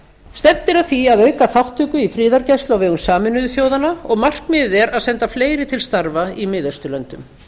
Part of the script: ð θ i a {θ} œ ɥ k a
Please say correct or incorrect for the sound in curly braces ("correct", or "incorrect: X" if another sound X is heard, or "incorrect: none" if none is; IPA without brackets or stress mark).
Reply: incorrect: ð